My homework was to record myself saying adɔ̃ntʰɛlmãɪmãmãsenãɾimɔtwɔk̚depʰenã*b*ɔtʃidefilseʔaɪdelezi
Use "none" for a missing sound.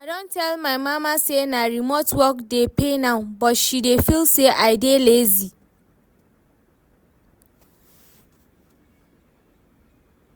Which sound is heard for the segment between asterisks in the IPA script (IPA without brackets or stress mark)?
b